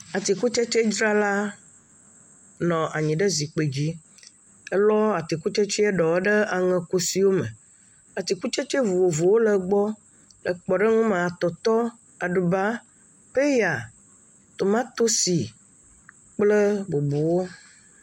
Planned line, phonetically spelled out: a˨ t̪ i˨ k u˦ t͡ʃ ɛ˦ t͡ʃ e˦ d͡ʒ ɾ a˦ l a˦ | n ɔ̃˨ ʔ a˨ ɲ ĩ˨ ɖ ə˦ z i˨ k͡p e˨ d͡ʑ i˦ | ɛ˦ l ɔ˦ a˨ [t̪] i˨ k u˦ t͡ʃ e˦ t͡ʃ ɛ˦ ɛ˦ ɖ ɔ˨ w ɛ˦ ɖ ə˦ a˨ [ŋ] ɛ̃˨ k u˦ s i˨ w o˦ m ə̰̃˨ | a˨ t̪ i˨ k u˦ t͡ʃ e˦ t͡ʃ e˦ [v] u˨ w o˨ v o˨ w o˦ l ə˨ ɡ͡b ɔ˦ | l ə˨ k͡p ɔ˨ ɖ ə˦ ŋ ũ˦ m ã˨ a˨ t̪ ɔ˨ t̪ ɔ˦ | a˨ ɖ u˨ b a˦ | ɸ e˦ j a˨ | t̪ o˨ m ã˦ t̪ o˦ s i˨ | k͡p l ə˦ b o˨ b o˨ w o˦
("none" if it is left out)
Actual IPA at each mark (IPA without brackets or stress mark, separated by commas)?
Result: t̪, ŋ, v